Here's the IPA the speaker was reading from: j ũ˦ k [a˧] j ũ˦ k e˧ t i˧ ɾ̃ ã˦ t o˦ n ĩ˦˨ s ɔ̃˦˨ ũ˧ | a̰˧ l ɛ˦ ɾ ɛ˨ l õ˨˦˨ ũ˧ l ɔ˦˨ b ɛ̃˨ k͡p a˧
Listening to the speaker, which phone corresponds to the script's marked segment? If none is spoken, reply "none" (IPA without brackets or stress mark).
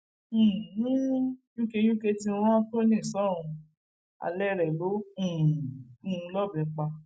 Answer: e˧